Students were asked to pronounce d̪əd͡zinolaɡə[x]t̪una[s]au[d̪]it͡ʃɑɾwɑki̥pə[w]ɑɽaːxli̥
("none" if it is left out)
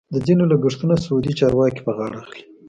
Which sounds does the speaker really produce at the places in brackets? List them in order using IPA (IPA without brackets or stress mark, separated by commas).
ʂ, s, d̪, ɣ